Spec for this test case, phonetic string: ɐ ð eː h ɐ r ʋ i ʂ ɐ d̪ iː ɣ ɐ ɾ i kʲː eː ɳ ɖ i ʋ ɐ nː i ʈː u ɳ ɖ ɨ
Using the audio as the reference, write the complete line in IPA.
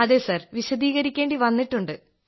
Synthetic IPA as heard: ɐ ð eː s ɐ r ʋ i ɕ ɐ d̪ iː ɣ ɐ ɾ i kʲː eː ɳ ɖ i ʋ ɐ nː i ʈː u ɳ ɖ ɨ

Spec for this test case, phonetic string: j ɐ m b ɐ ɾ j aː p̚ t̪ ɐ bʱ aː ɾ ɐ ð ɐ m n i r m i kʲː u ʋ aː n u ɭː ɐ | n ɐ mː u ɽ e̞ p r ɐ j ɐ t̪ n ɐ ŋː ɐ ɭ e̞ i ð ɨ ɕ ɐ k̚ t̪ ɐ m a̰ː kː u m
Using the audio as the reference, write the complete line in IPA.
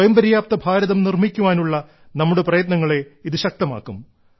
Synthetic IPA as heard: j ɐ m b ɐ ɾ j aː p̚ t̪ ɐ bʱ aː ɾ ɐ ð ɐ m n i r m i kʲː u ʋ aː n u ɭː ɐ | n ɐ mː u ɽ e̞ p r ɐ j ɐ t̪ n ɐ ŋː ɐ ɭ e̞ i ð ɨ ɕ ɐ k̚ t̪ ɐ m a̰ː kː u m

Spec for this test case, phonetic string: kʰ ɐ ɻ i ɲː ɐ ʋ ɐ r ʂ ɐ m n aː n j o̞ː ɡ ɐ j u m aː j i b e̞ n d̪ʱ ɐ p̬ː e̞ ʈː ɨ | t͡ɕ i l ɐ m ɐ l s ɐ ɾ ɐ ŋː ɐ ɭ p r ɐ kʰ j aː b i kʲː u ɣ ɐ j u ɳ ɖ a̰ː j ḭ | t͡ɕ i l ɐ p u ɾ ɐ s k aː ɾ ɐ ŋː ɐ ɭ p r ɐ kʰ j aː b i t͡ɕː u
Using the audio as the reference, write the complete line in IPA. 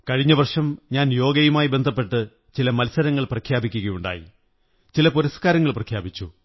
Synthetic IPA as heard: k ɐ ɻ i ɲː ɐ ʋ ɐ r ʂ ɐ m ɲ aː n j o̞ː ɡ ɐ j u m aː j i b e̞ n d̪ʱ ɐ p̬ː e̞ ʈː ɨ | t͡ɕ i l ɐ m ɐ l s ɐ ɾ ɐ ŋː ɐ ɭ p r ɐ kʰ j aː b i kʲː u ɣ ɐ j u ɳ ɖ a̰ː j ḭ | t͡ɕ i l ɐ p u ɾ ɐ s k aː ɾ ɐ ŋː ɐ ɭ p r ɐ kʰ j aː b i t͡ɕː u

